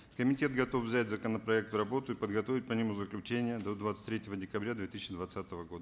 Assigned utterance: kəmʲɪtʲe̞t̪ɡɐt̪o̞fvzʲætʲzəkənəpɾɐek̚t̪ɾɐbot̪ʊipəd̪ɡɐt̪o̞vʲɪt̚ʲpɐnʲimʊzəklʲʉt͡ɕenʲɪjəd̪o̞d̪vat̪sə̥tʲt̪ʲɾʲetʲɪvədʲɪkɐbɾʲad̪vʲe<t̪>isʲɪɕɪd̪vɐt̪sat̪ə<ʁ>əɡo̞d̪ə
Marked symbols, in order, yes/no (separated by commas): yes, no